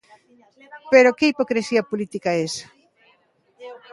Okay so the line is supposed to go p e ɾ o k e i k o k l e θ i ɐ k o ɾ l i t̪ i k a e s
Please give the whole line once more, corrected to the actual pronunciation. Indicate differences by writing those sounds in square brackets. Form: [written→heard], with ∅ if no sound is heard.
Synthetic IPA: p e ɾ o k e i [k→p] o k [l→ɾ] e [θ→s] i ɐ [k→p] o [ɾ→∅] l i t̪ i k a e s